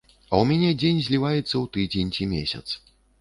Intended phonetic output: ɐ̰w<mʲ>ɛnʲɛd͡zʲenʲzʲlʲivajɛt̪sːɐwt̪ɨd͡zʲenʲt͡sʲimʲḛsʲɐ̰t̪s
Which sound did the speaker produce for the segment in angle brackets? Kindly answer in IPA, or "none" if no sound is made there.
mʲ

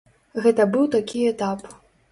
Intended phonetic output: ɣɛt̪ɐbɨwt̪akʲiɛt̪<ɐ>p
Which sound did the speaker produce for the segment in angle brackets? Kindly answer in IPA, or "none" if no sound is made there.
a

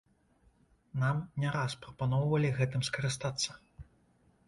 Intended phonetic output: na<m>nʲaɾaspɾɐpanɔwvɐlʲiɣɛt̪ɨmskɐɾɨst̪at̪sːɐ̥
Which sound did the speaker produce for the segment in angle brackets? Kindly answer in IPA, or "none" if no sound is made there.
m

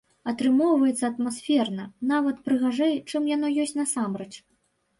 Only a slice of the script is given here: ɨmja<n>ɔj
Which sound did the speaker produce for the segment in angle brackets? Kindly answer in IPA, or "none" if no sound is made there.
n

